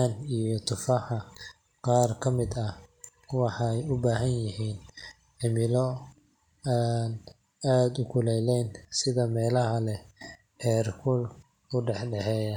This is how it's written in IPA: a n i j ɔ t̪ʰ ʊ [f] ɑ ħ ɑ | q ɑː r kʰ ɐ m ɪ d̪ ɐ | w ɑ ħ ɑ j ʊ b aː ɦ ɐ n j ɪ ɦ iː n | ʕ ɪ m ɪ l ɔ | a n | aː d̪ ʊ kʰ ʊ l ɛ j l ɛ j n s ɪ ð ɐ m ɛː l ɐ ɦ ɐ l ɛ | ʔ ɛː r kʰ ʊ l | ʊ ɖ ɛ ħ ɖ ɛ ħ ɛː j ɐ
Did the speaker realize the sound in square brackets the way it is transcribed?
yes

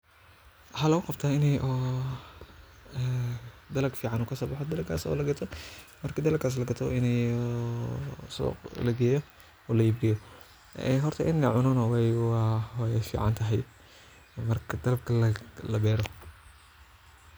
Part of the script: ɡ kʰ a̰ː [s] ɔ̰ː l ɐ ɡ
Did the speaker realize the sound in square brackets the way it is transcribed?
yes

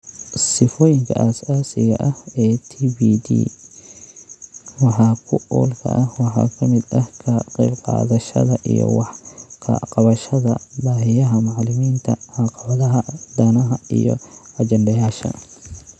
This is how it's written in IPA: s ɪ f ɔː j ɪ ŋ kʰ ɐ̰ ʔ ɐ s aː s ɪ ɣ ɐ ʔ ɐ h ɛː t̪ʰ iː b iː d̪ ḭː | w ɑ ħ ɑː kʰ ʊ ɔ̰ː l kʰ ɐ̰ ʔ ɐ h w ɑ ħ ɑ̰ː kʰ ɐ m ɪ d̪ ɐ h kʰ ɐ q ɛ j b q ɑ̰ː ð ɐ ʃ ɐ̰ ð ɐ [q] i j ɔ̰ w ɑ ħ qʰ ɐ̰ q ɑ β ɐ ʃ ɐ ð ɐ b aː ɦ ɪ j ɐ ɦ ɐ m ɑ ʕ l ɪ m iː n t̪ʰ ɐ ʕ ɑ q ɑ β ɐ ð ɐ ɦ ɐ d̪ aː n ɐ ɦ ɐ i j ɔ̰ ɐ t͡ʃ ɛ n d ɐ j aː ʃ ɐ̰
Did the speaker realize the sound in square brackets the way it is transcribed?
no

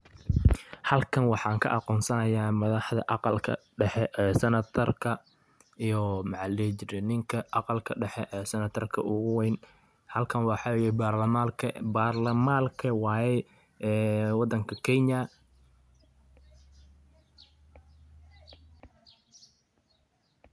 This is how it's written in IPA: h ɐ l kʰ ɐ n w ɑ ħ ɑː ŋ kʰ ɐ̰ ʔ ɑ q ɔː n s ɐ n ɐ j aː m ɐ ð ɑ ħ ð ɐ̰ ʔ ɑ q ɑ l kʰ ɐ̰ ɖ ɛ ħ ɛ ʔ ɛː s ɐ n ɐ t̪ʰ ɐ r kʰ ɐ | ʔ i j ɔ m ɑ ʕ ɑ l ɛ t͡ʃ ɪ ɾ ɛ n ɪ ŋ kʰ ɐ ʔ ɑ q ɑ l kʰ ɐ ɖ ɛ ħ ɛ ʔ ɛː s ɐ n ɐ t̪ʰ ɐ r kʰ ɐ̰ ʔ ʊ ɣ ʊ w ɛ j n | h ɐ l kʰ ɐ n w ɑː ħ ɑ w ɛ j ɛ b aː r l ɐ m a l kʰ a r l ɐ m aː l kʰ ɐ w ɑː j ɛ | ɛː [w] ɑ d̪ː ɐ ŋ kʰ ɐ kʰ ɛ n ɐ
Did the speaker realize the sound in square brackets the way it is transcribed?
yes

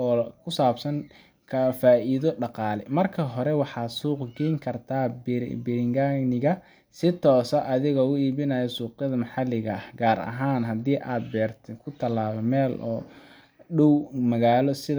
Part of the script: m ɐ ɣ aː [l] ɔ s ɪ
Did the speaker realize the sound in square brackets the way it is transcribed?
yes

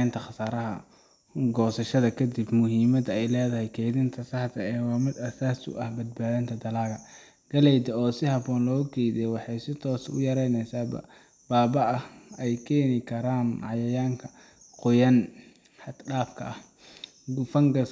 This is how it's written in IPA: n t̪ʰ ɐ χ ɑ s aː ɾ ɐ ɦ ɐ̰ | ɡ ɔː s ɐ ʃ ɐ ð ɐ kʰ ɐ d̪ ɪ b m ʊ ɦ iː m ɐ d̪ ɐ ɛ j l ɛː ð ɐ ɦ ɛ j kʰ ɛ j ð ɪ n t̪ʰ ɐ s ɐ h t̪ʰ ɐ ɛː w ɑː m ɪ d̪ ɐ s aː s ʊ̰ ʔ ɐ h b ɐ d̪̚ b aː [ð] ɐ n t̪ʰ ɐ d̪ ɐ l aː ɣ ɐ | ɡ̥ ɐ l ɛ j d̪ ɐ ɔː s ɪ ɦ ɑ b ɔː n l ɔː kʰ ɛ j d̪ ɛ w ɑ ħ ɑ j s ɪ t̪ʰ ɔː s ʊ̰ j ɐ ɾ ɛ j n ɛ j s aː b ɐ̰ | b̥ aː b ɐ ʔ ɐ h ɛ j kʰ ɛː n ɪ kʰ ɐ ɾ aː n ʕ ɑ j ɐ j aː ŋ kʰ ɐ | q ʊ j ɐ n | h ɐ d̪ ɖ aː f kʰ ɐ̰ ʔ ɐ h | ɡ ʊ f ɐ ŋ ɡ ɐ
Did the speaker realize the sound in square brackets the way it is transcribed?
yes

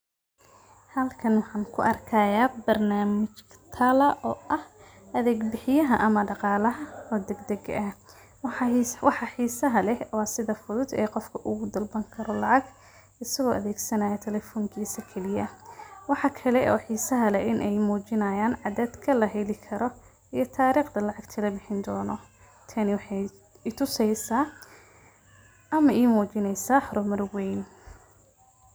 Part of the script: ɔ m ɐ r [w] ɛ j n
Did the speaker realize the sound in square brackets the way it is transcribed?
yes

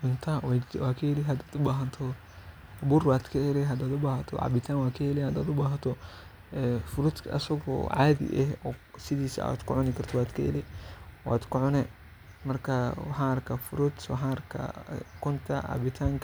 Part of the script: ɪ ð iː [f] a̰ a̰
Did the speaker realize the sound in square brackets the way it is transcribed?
no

